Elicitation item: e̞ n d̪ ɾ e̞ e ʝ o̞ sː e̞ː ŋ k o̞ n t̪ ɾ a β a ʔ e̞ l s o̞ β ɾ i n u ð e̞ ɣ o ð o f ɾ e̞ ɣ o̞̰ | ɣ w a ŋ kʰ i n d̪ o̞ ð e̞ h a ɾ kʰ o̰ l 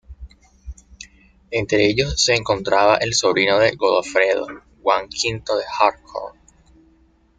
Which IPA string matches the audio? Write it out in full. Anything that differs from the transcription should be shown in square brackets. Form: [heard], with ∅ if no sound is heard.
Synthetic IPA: e̞ n [t̪] ɾ e̞ e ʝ o̞ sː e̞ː ŋ k o̞ n t̪ ɾ a β a ʔ e̞ l s o̞ β ɾ i n [o] ð e̞ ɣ o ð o f ɾ e̞ [ð] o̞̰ | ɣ w a ŋ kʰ i n [t̪] o̞ ð e̞ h a ɾ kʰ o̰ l